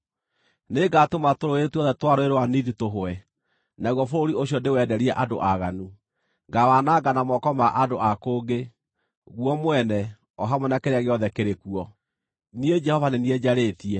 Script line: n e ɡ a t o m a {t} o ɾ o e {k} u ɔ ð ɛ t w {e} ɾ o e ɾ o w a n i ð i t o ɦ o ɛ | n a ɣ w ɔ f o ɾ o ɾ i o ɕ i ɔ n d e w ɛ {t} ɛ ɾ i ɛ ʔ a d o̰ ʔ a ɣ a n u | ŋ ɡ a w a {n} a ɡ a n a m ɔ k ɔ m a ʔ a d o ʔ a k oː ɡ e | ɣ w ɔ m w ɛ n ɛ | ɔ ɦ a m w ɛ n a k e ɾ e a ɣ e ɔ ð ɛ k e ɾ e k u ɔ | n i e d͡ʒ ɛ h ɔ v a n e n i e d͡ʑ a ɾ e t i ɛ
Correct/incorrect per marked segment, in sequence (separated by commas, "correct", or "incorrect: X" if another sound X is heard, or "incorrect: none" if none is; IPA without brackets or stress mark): correct, incorrect: t, incorrect: a, incorrect: d, correct